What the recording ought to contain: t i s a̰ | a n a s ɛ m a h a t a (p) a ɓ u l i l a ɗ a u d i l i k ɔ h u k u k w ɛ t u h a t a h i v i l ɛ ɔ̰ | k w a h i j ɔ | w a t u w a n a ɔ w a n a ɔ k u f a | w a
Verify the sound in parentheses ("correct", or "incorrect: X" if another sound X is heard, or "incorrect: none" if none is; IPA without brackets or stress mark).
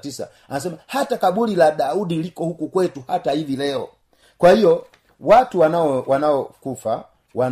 incorrect: k